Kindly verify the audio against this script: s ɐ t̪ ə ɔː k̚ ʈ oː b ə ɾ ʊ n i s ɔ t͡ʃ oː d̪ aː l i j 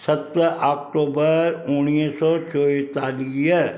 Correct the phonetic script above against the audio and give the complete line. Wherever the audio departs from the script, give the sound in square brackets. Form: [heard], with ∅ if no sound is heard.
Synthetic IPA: s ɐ t̪ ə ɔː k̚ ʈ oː b ə ɾ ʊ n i s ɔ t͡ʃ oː [t̪] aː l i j